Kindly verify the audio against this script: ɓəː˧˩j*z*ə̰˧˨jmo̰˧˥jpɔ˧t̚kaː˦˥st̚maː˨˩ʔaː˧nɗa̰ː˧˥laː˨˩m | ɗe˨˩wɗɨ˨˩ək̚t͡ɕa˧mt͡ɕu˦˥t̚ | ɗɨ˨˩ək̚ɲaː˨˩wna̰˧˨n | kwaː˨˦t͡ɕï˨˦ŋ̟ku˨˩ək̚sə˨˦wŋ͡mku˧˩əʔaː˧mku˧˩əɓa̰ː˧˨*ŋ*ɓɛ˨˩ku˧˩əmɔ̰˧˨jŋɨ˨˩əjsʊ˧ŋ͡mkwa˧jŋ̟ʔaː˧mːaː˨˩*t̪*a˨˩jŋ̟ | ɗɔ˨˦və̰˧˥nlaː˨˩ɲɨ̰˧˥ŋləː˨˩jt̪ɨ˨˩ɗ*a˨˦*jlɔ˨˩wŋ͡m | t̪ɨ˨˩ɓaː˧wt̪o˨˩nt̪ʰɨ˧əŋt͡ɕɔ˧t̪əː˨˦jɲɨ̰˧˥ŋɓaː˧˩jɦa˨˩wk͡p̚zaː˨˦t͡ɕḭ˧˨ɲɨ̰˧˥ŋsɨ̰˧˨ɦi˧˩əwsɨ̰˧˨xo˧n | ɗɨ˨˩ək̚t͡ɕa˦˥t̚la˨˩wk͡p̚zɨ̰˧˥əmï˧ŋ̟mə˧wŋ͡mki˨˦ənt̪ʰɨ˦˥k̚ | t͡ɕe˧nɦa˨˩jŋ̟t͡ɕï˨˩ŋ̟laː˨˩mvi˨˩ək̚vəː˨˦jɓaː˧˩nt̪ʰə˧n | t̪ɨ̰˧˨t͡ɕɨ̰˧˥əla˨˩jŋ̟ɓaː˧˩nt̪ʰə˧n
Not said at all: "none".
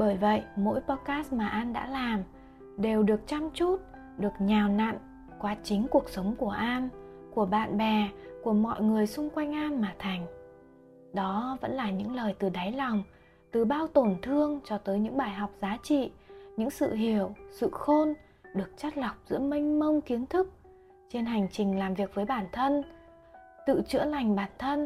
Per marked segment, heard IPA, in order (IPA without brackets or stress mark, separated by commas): v, n, t̪ʰ, a˨˦